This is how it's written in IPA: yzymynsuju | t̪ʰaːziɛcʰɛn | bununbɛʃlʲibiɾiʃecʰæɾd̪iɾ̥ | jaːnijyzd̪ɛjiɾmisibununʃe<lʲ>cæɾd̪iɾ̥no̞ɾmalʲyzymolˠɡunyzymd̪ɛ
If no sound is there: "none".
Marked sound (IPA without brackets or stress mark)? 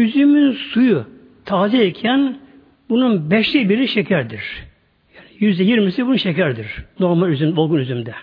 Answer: none